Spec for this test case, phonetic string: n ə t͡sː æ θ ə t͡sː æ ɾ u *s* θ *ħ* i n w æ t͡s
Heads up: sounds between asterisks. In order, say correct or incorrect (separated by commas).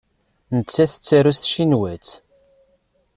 correct, incorrect